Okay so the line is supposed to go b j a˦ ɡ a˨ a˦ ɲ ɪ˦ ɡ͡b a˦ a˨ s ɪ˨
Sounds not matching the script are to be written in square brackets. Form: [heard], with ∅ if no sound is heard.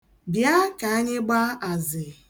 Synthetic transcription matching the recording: b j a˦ [k] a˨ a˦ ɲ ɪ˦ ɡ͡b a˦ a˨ [z] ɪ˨